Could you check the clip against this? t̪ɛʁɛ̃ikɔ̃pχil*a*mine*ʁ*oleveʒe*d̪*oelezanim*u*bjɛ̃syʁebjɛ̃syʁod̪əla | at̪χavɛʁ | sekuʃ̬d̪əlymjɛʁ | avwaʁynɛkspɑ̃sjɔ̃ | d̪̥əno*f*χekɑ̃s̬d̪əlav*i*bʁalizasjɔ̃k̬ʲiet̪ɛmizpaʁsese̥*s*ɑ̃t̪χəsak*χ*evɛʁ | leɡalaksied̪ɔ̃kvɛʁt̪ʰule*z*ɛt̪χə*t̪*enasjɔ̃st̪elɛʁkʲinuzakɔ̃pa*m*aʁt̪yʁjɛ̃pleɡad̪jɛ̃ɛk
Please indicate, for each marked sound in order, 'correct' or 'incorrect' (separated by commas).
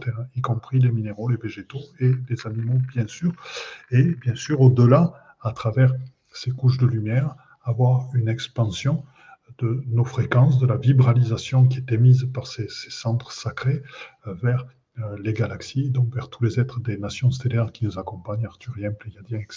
incorrect, correct, incorrect, incorrect, correct, correct, correct, correct, correct, incorrect, incorrect